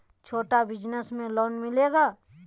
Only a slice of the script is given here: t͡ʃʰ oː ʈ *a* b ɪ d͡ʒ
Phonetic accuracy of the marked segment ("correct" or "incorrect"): correct